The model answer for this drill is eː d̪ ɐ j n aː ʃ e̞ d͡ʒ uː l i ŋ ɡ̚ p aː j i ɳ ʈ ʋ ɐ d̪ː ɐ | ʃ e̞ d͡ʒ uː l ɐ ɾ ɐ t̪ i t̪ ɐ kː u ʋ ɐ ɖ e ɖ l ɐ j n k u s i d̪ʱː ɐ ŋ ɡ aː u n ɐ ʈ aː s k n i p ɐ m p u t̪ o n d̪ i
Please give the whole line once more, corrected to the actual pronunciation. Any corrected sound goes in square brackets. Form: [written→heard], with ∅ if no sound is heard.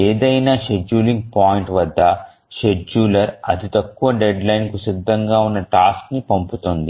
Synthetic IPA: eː d̪ ɐ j n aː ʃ e̞ d͡ʒ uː l i ŋ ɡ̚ p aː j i ɳ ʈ ʋ ɐ d̪ː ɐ | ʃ e̞ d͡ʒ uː l ɐ ɾ ɐ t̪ i t̪ ɐ kː u ʋ ɐ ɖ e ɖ l ɐ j n k u s i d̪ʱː ɐ ŋ ɡ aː u [n→nː] ɐ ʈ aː s k n i p ɐ m p u t̪ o n d̪ i

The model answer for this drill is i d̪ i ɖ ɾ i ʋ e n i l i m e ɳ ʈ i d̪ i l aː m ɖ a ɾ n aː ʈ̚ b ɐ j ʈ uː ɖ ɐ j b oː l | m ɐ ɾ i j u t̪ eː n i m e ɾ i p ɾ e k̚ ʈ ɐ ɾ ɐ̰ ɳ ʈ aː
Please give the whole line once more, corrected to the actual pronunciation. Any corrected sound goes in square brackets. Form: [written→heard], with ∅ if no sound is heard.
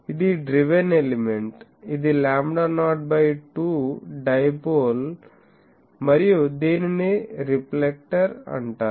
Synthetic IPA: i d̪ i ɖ ɾ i ʋ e n [i→e] l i m e ɳ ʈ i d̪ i l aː m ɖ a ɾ n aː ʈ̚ b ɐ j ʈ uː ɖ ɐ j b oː l | m ɐ ɾ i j u [t̪→d̪] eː n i [m→n] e ɾ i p [ɾ→l] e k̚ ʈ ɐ ɾ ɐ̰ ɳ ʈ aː

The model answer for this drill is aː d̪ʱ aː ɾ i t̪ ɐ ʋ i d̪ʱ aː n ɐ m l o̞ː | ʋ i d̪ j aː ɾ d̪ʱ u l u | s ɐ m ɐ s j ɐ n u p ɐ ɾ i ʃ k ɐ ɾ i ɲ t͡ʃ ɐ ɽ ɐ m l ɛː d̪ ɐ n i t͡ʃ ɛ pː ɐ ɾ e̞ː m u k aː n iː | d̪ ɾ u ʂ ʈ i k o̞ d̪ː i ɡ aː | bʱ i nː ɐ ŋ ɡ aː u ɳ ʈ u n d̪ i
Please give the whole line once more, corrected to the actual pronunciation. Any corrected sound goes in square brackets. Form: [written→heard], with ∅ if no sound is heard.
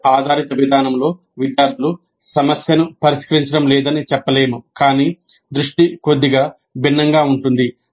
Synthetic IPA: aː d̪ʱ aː ɾ i t̪ ɐ ʋ i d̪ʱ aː n ɐ m l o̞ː | ʋ i d̪ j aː ɾ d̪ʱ u l u | s ɐ m ɐ s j ɐ n u p ɐ ɾ i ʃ k ɐ ɾ i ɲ t͡ʃ ɐ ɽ ɐ m l ɛː d̪ ɐ n i t͡ʃ ɛ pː ɐ [ɾ→l] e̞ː m u k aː n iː | d̪ ɾ u ʂ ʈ i k o̞ d̪ː i ɡ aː | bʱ i nː ɐ ŋ ɡ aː u ɳ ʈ u n d̪ i

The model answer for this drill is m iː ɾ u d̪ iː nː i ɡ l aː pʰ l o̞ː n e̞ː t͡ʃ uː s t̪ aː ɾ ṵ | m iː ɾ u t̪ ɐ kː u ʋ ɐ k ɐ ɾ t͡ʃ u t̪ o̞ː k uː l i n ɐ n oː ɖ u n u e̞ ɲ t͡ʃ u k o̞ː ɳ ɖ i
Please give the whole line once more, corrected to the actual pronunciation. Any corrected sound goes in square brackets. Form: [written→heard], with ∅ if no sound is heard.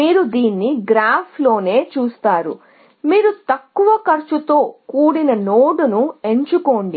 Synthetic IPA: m iː ɾ u d̪ iː nː i ɡ [l→ɾ] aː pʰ l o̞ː n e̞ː t͡ʃ uː s t̪ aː ɾ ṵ | m iː ɾ u t̪ ɐ kː u ʋ ɐ k ɐ ɾ t͡ʃ u t̪ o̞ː k uː [l→ɽ] i n ɐ n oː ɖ u n u e̞ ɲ t͡ʃ u k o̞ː ɳ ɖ i

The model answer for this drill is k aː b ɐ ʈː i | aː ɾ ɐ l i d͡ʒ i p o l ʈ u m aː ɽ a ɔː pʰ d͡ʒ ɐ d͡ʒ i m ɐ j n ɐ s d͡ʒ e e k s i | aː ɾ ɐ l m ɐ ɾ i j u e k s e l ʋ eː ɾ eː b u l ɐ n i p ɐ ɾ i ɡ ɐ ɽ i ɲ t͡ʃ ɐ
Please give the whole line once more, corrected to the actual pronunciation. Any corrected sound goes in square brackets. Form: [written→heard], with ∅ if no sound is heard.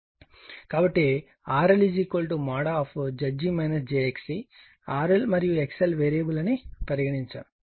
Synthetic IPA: k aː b ɐ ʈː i | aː ɾ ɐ l i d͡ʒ i [p→k] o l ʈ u m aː ɽ a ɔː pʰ d͡ʒ ɐ d͡ʒ i m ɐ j n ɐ s d͡ʒ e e k s i | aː ɾ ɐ l m ɐ ɾ i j u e k s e l ʋ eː ɾ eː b u l ɐ n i p ɐ ɾ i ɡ ɐ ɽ i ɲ t͡ʃ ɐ

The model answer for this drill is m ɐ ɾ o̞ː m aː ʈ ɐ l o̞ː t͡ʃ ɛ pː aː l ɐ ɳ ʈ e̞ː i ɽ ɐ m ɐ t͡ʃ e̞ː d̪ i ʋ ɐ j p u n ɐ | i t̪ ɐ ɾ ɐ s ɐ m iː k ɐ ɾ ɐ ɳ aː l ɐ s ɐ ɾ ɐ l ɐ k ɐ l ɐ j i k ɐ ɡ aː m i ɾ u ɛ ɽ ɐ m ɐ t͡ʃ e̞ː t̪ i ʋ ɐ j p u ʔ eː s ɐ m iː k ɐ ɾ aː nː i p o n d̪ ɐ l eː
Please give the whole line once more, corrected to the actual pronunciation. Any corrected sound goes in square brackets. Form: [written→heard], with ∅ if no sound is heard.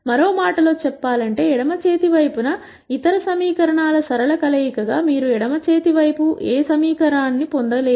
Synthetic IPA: m ɐ ɾ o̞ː m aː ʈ ɐ l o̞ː t͡ʃ ɛ pː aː l ɐ ɳ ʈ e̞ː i ɽ ɐ m ɐ t͡ʃ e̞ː [d̪→t̪] i ʋ ɐ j p u n ɐ | i t̪ ɐ ɾ ɐ s ɐ m iː k ɐ ɾ ɐ ɳ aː l ɐ s ɐ ɾ ɐ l ɐ k ɐ l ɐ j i k ɐ ɡ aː m [i→iː] ɾ u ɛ ɽ ɐ m ɐ t͡ʃ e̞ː t̪ i ʋ ɐ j p u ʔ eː s ɐ m iː k ɐ ɾ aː nː i p o n d̪ ɐ l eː

